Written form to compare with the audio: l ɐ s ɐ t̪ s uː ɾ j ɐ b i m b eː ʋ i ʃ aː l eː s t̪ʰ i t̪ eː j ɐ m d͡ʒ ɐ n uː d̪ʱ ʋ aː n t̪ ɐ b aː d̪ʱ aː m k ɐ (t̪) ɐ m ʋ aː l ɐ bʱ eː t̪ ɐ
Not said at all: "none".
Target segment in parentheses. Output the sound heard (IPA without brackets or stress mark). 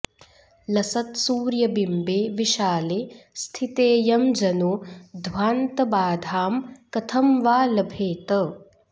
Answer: t̪ʰ